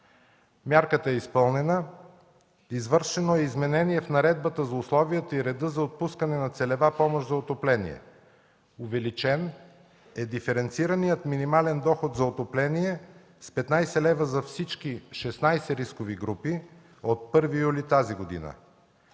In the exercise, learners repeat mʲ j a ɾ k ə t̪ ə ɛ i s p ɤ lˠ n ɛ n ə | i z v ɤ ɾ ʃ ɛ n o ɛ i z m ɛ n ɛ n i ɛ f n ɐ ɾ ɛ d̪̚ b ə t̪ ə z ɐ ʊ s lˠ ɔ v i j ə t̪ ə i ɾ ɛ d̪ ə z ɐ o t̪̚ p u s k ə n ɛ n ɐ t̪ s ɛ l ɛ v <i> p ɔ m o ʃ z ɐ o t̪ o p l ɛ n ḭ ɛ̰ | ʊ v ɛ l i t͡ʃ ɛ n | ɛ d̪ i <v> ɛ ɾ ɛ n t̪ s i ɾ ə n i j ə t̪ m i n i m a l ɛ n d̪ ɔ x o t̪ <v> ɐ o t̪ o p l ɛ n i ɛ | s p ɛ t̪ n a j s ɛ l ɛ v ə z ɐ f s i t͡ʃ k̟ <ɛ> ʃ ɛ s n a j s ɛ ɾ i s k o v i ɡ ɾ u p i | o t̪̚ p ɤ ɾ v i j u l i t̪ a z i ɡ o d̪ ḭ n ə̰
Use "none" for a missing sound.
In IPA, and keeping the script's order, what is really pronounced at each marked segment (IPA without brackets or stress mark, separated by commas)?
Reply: a, f, z, i